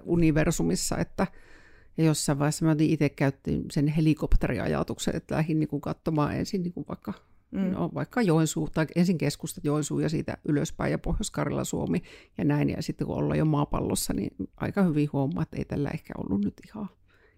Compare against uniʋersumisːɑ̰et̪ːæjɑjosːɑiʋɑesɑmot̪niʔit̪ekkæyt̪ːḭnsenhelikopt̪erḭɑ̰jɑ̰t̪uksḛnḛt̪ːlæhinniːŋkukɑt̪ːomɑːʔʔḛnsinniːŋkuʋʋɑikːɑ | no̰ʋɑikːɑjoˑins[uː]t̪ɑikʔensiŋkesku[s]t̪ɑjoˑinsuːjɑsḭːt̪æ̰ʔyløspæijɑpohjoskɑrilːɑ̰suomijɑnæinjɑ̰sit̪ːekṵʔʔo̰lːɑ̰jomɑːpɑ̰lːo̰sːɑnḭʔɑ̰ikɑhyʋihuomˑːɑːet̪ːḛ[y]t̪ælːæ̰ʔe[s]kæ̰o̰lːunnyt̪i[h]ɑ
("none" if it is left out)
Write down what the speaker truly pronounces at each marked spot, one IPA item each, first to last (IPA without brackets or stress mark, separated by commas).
uː, s, i, h, h